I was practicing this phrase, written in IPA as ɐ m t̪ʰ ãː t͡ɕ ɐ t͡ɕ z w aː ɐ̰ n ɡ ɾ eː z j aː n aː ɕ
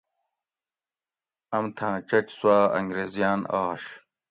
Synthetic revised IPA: ɐ m t̪ʰ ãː t͡ɕ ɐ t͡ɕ s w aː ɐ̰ ŋ ɡ ɾ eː z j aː n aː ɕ